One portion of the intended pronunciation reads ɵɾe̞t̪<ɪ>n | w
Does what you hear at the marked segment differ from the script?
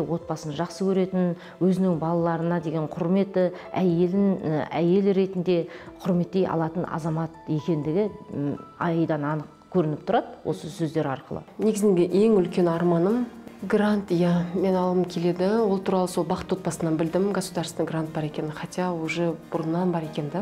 no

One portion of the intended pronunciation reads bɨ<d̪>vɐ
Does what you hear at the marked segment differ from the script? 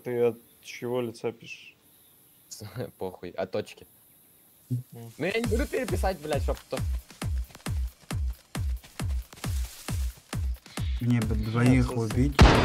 no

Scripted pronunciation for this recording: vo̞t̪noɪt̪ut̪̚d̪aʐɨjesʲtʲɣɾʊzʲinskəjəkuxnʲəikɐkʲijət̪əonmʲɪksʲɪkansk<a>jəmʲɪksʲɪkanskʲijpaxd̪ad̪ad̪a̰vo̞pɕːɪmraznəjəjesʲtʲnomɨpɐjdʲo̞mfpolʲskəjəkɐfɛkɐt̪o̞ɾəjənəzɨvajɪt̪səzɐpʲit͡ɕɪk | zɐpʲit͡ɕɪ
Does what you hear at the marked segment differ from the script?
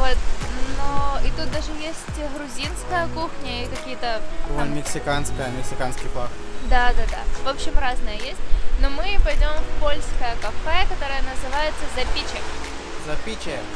yes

